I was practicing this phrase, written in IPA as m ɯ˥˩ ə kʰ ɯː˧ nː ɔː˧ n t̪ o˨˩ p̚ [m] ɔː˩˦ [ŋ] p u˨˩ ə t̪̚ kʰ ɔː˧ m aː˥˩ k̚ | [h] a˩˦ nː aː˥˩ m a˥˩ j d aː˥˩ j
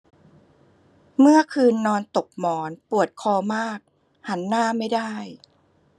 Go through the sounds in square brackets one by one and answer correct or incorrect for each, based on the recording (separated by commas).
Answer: correct, incorrect, correct